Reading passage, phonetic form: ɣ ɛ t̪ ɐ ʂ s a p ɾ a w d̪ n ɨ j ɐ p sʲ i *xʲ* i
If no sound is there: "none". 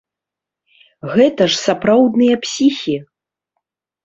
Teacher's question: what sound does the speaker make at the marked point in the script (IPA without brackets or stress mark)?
xʲ